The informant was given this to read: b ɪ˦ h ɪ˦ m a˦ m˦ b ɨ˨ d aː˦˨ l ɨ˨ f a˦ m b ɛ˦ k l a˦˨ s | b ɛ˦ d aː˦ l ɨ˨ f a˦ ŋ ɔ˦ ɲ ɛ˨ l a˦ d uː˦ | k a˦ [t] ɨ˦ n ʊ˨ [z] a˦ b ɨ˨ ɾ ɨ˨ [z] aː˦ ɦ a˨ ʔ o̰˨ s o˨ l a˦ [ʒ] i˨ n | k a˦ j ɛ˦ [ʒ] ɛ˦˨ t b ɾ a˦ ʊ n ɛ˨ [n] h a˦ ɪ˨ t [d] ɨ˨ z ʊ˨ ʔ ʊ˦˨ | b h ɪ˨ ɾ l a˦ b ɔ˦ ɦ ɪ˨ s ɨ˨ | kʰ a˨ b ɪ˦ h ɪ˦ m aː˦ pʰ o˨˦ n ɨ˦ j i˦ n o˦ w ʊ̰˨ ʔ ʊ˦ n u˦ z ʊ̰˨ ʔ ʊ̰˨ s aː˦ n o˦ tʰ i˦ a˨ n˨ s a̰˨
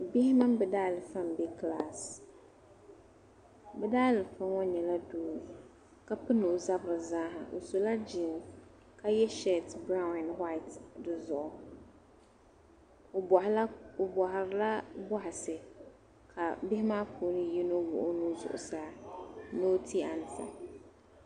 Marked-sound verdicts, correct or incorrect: incorrect, correct, correct, incorrect, incorrect, correct, correct

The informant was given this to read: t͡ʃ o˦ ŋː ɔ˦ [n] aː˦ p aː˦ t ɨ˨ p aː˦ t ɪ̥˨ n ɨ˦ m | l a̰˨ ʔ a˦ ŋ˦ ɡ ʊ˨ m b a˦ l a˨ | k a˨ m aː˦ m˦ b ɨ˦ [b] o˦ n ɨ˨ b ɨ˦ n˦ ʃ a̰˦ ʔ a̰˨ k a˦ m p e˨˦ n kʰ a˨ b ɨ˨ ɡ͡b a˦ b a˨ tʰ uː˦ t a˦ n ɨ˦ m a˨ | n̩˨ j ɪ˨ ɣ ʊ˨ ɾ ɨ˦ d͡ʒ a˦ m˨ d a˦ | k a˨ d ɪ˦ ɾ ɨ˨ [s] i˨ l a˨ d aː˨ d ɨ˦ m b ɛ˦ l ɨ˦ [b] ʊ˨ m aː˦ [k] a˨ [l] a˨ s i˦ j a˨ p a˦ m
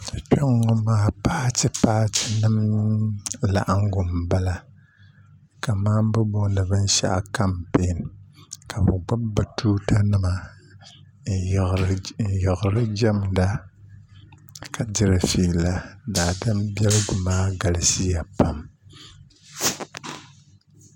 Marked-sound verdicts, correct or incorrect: incorrect, correct, incorrect, incorrect, incorrect, correct

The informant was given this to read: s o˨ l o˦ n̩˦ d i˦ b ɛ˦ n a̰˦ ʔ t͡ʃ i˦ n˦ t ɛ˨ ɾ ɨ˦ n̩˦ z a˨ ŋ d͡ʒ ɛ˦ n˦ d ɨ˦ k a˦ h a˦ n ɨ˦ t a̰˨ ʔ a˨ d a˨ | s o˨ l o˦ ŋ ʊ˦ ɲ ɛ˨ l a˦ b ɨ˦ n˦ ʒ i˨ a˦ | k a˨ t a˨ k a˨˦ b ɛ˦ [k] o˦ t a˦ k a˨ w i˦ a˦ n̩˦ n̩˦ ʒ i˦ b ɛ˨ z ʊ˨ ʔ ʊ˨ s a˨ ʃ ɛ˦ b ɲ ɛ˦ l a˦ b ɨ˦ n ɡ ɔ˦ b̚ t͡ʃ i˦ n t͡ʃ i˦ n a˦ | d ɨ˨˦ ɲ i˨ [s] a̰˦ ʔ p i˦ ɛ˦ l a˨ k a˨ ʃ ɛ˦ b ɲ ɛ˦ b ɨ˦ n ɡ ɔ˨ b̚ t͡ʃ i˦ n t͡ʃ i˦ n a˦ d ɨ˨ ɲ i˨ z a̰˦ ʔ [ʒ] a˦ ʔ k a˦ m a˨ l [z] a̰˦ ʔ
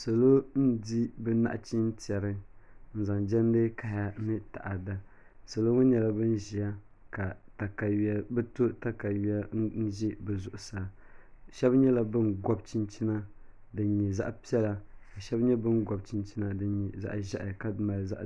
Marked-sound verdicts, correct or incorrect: incorrect, incorrect, correct, correct

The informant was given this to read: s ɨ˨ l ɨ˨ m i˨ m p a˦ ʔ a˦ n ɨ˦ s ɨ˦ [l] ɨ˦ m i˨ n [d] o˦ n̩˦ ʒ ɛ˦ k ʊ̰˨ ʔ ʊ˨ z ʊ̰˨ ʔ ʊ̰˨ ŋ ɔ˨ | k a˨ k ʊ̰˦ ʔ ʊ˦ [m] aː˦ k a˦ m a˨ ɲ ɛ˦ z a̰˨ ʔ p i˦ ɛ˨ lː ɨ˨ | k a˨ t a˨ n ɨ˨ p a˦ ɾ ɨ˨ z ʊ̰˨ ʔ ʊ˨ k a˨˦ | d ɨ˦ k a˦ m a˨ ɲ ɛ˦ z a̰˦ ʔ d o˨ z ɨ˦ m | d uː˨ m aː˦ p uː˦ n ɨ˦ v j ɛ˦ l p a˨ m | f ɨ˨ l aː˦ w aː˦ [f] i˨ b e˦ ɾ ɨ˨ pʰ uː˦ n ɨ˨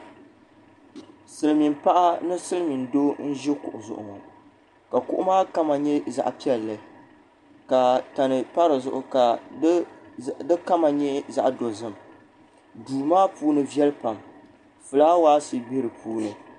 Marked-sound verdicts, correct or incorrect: correct, correct, correct, incorrect

